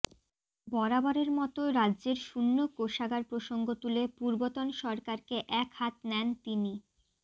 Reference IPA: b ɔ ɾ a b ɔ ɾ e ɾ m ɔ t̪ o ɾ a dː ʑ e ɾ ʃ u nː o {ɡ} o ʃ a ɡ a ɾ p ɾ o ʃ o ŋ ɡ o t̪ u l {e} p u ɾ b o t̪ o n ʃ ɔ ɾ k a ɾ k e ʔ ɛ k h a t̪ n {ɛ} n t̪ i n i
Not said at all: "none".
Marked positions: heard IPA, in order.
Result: k, e, ɛ

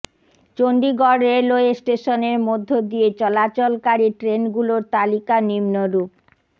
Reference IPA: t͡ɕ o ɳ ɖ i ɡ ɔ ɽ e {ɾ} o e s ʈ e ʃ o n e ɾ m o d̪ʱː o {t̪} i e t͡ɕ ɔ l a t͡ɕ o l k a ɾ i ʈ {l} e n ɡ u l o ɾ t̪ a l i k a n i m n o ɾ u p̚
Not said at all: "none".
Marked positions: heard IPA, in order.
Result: l, d̪, ɾ

